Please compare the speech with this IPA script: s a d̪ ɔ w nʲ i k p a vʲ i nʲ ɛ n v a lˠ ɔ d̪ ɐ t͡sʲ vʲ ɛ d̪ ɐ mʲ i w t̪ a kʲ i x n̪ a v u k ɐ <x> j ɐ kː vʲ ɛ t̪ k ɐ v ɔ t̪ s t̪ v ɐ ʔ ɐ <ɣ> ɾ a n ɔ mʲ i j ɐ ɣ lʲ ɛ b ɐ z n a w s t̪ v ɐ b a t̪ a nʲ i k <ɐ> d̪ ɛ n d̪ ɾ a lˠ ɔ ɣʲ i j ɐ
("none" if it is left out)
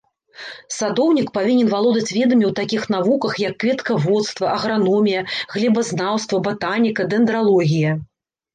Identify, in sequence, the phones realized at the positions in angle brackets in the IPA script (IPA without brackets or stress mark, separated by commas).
x, ɣ, ɐ